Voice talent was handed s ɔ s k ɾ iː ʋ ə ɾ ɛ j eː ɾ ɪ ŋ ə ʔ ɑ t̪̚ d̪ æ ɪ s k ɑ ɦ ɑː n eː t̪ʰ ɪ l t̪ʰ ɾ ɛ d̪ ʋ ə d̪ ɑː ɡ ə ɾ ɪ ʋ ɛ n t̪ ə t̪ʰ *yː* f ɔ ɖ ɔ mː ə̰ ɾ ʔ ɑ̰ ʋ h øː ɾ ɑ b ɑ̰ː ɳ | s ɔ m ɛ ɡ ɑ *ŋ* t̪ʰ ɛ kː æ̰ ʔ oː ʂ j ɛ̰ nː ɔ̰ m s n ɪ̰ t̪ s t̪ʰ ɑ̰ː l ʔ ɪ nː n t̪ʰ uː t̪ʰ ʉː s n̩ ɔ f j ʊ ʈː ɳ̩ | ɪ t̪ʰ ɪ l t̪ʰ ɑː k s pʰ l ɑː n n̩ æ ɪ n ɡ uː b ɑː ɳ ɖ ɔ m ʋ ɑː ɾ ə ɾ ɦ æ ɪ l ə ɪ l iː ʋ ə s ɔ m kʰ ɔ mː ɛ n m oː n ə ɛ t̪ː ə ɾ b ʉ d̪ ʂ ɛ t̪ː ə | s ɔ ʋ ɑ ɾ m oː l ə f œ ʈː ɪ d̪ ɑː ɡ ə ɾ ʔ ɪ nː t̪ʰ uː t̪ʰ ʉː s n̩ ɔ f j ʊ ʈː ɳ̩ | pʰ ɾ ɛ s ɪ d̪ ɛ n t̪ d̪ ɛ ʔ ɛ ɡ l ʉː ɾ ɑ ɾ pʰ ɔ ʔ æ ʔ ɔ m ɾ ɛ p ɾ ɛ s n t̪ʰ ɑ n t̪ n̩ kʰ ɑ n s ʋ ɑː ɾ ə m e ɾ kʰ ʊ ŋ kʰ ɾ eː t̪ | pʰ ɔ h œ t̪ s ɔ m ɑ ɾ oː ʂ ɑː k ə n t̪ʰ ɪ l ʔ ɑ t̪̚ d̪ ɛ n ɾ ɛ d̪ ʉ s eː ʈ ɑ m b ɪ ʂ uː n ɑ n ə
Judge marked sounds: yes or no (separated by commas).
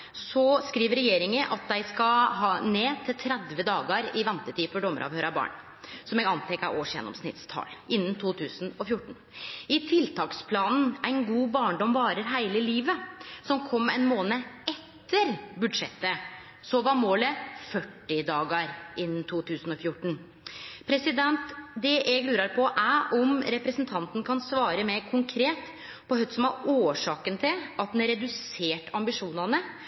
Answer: no, no